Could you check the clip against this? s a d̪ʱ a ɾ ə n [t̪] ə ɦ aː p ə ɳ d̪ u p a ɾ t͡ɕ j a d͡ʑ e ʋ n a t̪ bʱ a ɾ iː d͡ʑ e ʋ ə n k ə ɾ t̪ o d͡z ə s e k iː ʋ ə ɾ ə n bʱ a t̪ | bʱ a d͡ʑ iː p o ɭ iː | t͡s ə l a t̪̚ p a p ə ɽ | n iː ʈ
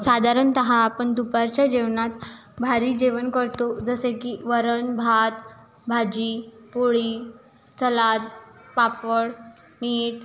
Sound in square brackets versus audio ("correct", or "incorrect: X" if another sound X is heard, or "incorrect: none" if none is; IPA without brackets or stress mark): correct